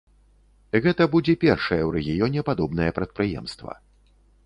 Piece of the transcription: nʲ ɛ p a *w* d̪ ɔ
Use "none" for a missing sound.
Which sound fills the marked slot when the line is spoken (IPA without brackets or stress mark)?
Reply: none